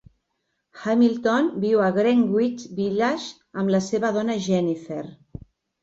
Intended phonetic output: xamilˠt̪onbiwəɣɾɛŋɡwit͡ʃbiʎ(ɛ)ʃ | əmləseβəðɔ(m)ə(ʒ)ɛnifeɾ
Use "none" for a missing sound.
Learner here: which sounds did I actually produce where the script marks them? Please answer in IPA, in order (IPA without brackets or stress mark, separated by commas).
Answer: a, n, ʒ